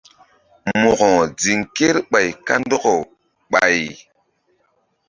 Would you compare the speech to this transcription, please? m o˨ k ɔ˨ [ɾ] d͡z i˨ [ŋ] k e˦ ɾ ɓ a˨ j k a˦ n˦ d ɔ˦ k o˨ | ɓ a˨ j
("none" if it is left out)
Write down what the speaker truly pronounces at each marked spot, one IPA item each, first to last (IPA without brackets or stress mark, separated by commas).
none, ŋ